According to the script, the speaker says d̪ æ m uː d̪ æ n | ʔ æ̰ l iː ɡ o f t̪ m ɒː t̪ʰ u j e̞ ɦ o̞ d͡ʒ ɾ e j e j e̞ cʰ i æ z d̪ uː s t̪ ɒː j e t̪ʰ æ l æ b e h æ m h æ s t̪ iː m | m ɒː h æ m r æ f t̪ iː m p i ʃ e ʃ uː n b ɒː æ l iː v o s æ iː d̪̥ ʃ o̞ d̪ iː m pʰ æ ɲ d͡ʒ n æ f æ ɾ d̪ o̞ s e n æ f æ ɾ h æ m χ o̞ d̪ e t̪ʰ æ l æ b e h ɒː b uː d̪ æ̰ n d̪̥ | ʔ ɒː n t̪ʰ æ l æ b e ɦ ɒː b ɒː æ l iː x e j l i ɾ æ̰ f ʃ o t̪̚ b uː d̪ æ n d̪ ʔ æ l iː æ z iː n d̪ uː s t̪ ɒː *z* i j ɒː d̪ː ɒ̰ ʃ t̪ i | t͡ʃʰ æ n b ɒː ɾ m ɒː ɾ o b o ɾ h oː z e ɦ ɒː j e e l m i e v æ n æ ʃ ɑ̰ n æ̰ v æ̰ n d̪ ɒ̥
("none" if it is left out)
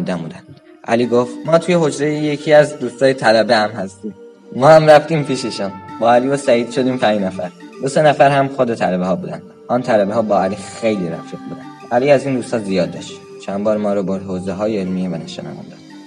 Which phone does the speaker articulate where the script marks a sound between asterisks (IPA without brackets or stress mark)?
z